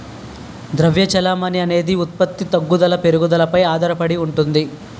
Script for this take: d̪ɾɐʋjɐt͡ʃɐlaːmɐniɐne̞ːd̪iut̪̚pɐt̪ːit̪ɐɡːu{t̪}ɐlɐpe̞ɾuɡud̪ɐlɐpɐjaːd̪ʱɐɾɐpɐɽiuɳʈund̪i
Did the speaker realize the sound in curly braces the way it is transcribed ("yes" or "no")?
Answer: no